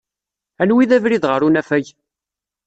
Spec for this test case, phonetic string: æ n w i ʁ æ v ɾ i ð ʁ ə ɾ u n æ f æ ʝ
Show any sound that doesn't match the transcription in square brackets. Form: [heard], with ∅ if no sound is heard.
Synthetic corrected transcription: æ n w i [ð] æ v ɾ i ð ʁ ə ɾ u n æ f æ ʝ